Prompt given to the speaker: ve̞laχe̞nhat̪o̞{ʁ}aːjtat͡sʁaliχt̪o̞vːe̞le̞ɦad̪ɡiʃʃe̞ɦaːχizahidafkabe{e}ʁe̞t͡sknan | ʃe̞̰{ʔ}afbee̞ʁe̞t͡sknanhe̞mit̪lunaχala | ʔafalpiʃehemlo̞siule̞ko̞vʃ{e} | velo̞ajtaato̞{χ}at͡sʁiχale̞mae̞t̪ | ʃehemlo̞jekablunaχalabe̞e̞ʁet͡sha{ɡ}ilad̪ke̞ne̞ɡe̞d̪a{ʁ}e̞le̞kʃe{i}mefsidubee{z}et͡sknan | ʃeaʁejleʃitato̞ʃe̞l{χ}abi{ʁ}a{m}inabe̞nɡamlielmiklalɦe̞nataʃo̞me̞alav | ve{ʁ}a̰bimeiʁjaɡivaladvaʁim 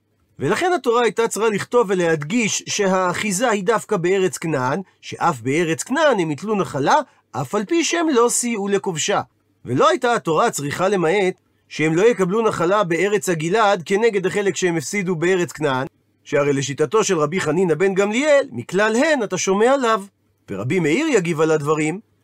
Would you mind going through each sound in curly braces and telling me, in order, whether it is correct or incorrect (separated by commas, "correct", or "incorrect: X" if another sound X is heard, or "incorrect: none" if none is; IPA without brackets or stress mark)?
correct, correct, correct, incorrect: a, incorrect: ʁ, correct, incorrect: χ, incorrect: e, incorrect: ʁ, incorrect: ʁ, incorrect: χ, incorrect: n, correct